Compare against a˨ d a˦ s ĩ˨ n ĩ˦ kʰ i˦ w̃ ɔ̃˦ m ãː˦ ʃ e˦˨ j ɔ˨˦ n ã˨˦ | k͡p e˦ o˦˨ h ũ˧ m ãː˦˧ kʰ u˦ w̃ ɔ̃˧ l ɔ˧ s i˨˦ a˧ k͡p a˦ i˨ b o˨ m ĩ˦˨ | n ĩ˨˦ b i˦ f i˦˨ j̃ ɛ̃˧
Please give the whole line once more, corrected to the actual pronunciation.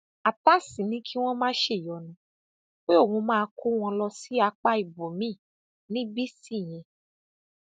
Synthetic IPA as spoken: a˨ t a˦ s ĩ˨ n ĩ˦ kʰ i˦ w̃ ɔ̃˦ m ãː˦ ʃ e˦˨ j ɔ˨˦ n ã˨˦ | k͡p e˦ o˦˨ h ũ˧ m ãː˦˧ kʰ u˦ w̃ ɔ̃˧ l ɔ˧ s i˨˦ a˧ k͡p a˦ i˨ b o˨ m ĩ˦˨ | n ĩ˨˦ b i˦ s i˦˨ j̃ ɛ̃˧

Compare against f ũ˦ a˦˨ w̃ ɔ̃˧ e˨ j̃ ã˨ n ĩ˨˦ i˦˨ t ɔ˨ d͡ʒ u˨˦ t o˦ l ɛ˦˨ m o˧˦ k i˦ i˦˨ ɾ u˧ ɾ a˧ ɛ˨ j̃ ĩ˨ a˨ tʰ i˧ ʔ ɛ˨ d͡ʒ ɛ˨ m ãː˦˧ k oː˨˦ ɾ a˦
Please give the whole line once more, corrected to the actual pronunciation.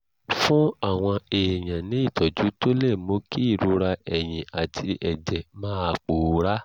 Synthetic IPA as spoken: f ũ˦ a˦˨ w̃ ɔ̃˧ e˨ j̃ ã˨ n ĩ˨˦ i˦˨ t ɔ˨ d͡ʒ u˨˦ t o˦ l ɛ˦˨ m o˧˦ k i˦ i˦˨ ɾ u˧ ɾ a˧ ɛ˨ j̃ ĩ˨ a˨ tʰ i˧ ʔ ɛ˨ d͡ʒ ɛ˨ m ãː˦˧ k͡p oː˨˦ ɾ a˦

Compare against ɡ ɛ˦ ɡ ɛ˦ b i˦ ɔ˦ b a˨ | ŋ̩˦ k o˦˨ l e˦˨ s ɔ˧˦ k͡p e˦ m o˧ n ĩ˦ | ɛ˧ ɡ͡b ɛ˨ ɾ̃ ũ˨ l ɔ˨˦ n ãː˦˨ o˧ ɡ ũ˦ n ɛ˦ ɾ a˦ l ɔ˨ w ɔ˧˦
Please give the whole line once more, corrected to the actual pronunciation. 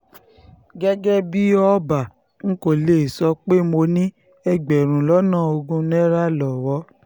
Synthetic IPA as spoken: ɡ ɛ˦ ɡ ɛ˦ b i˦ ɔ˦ b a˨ | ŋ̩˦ k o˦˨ l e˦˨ s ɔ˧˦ k͡p e˦ m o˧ n ĩ˦ | ɛ˧ ɡ͡b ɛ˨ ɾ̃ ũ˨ l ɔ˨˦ n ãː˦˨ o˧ ɡ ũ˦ n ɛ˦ ɾ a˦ l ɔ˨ w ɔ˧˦

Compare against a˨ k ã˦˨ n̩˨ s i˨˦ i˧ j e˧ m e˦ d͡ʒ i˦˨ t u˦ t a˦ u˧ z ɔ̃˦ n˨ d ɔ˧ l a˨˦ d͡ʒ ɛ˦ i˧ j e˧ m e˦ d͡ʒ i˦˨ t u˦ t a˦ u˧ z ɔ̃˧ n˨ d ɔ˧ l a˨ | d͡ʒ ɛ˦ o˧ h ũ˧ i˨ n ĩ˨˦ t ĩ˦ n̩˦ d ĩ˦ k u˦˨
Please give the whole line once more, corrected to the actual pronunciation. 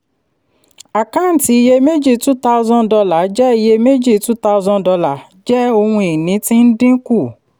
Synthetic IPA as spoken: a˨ k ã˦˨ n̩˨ t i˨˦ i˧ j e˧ m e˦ d͡ʒ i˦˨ t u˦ t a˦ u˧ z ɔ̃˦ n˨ d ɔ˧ l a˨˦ d͡ʒ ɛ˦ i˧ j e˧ m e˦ d͡ʒ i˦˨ t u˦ t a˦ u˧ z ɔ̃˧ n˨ d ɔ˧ l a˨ | d͡ʒ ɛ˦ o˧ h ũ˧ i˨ n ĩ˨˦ t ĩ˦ n̩˦ d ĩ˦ k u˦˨

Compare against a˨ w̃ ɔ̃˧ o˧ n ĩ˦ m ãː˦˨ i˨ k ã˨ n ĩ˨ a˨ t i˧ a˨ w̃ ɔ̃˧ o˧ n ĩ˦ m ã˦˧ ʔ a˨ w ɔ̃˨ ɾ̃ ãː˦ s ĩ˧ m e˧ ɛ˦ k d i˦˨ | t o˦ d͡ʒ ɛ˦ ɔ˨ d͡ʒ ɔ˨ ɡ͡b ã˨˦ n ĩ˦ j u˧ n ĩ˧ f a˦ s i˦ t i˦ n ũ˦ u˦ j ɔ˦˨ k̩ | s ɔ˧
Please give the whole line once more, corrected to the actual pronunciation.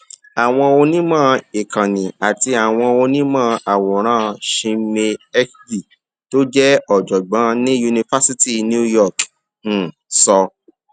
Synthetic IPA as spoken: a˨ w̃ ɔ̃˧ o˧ n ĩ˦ m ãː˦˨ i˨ k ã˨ n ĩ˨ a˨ t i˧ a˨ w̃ ɔ̃˧ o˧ n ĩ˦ m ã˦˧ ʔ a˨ w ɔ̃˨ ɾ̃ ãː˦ ʃ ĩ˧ m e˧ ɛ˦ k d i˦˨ | t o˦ d͡ʒ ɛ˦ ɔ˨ d͡ʒ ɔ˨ ɡ͡b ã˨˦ n ĩ˦ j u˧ n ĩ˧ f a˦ s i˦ t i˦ n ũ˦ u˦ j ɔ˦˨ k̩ | s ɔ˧

